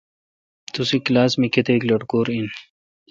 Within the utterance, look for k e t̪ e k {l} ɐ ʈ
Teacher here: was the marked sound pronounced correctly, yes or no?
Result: yes